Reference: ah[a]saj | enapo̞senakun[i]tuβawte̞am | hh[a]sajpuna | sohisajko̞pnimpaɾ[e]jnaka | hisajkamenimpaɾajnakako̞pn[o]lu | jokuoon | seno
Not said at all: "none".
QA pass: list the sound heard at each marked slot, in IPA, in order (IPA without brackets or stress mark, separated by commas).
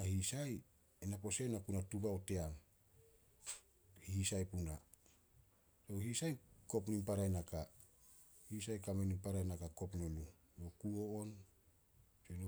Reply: i, a, i, a, o